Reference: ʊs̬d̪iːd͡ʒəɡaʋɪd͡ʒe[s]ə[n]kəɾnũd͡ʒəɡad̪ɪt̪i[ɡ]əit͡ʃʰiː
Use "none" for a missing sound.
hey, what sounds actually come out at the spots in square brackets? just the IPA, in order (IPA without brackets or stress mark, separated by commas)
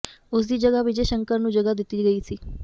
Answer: ʃ, ŋ, ɡ